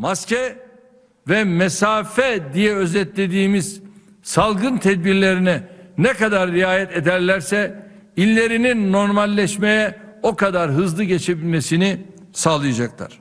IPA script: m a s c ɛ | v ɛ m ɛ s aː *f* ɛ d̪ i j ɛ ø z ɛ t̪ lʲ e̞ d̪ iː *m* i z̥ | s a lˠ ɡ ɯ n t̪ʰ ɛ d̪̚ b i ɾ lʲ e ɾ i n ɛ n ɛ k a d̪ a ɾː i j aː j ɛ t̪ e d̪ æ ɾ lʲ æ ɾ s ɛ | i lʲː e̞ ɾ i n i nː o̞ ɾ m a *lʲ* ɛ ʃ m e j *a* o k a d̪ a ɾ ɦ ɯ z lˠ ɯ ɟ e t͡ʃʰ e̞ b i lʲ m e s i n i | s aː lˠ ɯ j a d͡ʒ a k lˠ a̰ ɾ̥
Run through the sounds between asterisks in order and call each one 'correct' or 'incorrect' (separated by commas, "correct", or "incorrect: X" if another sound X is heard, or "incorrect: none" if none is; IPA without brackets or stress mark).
correct, correct, incorrect: lʲː, incorrect: ɛ